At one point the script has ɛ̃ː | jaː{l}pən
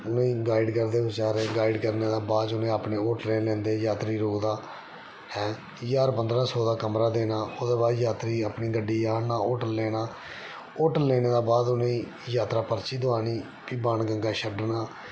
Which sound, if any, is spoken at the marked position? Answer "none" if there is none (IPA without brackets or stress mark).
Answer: ɾ